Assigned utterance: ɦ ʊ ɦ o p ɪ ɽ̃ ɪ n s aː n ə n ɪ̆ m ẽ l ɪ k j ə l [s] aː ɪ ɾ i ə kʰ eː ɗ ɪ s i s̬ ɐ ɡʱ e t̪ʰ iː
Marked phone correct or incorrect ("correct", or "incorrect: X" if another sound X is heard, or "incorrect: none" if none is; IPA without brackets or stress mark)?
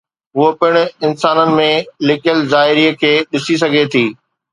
incorrect: z